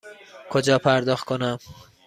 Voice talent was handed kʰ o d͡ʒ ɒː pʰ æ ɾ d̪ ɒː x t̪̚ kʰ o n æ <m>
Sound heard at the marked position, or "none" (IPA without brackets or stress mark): m